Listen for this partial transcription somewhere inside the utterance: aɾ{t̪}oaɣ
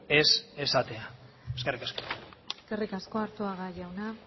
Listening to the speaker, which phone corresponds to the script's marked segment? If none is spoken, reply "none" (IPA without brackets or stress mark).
t̪